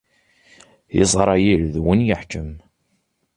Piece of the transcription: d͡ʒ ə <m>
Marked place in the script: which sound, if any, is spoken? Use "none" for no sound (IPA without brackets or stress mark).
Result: m